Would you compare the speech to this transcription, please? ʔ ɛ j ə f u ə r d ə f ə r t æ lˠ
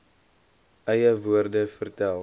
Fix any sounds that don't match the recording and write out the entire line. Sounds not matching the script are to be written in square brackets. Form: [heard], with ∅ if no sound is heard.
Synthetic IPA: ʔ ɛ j ə [v] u ə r d ə f ə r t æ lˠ